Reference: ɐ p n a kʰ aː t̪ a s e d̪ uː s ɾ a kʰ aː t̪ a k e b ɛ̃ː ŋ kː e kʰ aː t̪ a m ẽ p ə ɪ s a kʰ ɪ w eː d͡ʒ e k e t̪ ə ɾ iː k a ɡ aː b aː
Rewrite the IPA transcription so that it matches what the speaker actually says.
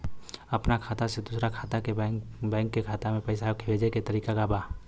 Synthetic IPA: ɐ p n a kʰ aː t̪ a s e d̪ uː s ɾ a kʰ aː t̪ a k e b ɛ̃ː ŋ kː e kʰ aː t̪ a m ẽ p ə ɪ s a kʰ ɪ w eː d͡ʒ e k e t̪ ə ɾ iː k a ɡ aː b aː